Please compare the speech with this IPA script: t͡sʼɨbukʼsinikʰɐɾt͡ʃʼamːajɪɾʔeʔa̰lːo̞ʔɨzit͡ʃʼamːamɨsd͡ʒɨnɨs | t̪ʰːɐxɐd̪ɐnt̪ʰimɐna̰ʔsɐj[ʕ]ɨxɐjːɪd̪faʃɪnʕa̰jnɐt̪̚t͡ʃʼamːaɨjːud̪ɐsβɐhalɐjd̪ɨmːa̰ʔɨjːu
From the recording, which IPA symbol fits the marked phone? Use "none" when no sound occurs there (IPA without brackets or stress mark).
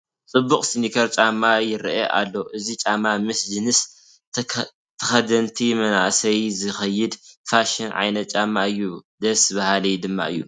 z